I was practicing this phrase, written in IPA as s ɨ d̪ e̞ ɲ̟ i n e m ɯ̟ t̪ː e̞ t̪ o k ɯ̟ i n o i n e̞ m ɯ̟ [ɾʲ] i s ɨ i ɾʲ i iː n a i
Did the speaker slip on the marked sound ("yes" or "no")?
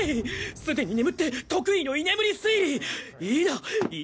no